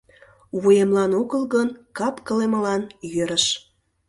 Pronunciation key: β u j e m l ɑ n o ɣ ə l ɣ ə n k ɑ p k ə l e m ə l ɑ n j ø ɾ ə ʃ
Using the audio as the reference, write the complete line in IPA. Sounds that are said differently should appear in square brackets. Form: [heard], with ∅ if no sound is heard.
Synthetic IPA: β u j e m l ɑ n o ɣ ə l ɣ ə n k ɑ p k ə l e m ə l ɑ n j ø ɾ ə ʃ